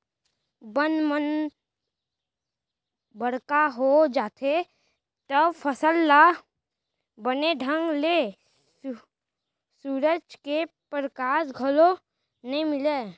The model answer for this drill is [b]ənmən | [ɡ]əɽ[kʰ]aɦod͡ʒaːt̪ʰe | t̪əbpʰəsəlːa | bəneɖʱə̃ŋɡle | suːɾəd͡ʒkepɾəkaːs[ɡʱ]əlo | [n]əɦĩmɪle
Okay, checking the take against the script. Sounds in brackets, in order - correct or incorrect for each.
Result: correct, incorrect: b, incorrect: k, correct, correct

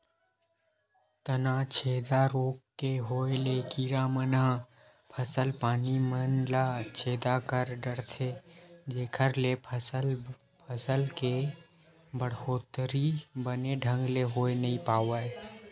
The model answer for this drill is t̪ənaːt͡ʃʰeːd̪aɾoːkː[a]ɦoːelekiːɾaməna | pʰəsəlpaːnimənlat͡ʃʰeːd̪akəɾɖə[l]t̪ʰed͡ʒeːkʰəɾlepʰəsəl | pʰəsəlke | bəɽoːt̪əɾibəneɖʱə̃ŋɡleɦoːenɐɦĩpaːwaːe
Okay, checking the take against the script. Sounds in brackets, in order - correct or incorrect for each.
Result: incorrect: e, incorrect: ɽ

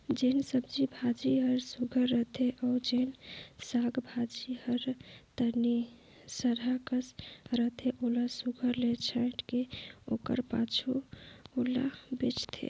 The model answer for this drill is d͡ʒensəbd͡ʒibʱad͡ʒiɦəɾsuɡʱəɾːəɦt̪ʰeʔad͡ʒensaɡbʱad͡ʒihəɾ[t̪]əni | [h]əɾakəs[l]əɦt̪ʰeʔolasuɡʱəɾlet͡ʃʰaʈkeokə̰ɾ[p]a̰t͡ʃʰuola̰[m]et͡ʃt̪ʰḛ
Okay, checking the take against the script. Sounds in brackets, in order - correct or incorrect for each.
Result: correct, incorrect: s, incorrect: ɾ, correct, incorrect: b

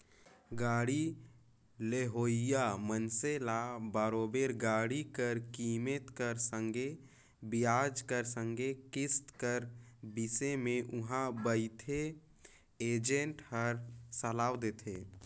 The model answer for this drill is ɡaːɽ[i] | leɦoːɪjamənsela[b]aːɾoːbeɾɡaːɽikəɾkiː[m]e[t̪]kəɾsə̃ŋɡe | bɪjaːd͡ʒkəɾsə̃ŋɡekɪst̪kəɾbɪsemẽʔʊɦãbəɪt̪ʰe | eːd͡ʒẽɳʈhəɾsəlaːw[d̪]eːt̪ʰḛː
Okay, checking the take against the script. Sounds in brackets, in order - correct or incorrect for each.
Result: correct, correct, correct, correct, correct

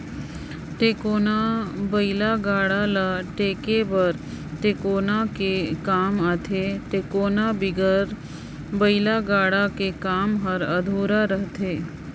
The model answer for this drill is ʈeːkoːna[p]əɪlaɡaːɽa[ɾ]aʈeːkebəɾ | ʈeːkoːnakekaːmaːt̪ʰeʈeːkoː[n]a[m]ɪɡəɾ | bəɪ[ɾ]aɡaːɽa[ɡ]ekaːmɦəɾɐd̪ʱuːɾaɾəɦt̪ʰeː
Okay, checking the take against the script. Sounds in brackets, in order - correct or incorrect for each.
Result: incorrect: b, incorrect: l, correct, incorrect: b, incorrect: l, incorrect: k

